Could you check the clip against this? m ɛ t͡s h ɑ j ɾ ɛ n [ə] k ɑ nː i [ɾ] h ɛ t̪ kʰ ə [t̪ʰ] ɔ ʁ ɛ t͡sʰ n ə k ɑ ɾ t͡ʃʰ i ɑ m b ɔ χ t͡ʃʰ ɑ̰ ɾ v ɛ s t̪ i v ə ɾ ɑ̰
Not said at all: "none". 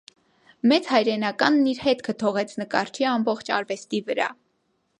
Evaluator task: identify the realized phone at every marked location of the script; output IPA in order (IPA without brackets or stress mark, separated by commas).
ɑ, ɾ, t̪ʰ